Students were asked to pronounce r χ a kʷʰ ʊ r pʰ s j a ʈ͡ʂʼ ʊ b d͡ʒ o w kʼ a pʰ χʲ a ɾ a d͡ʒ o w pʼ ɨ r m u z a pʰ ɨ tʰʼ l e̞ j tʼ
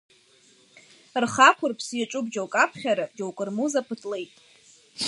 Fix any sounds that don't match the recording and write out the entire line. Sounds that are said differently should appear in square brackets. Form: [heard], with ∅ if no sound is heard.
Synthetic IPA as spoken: r χ a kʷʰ ʊ r pʰ s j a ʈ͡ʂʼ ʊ b d͡ʒ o w kʼ a pʰ χʲ a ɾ a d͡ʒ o w [kʼ] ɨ r m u z a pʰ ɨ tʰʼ l e̞ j tʼ